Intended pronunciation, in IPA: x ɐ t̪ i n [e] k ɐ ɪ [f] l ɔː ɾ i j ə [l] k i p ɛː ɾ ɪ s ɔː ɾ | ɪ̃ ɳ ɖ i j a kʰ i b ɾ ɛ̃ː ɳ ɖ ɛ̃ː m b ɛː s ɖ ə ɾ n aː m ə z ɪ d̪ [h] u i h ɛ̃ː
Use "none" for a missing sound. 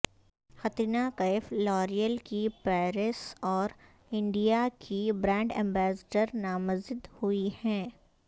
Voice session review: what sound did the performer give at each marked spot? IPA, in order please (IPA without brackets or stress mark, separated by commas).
a, f, l, h